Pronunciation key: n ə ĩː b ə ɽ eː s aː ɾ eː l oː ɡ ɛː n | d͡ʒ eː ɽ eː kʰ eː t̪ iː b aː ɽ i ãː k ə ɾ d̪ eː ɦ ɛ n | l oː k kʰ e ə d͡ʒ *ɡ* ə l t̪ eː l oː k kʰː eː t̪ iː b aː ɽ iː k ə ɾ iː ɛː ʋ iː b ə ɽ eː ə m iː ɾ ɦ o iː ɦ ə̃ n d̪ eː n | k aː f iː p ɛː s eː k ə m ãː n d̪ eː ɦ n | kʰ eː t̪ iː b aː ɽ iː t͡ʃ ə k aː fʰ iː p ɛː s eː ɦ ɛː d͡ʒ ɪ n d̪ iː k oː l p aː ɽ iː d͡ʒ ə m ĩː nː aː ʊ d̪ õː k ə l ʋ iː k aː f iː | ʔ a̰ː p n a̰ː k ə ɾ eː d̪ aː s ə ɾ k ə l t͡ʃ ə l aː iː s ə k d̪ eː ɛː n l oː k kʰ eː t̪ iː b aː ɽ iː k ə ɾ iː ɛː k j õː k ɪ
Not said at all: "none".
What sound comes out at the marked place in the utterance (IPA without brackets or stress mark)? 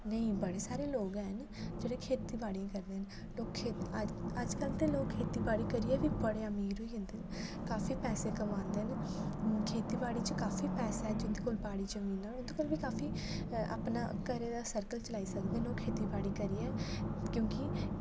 k